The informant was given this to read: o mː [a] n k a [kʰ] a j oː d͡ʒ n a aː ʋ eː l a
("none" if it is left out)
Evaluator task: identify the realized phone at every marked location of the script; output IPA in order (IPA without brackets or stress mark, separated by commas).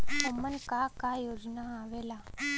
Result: ə, k